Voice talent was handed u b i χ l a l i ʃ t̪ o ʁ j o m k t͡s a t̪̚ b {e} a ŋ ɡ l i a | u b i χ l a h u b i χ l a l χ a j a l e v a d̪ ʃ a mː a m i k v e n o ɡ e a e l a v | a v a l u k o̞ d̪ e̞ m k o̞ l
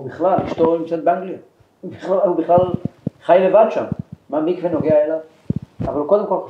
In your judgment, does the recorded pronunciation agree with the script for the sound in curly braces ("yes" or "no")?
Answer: yes